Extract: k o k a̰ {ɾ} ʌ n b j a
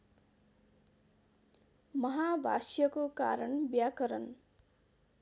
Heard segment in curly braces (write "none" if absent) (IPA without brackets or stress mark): ɾ